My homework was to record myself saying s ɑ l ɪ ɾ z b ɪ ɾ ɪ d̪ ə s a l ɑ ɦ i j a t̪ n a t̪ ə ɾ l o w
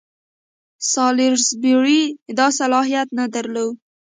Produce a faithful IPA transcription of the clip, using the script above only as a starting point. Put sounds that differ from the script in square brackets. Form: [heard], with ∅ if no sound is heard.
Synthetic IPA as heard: s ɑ l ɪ ɾ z b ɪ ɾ [i] d̪ [ɑ] s a l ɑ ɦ i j a t̪ n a [d̪] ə ɾ l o w